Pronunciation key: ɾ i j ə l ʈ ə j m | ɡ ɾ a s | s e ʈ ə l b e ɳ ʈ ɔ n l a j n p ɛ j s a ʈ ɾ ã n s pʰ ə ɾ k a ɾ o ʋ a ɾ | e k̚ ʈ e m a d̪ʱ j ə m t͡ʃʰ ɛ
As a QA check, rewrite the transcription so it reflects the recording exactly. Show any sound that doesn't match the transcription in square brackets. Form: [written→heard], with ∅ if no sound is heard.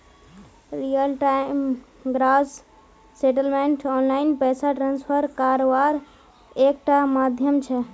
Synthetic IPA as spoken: ɾ i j ə l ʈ [ə→a] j m | ɡ ɾ a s | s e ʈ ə l [b→m] e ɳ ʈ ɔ n l a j n p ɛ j s a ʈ ɾ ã n s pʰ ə ɾ k a ɾ o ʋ a ɾ | e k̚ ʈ [e→a] m a d̪ʱ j ə m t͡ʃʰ ɛ